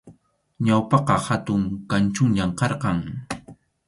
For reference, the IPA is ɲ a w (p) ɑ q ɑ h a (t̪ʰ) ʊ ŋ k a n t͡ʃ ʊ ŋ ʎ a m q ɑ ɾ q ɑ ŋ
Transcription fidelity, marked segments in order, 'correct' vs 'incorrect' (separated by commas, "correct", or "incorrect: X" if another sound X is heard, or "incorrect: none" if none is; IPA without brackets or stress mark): correct, incorrect: t̪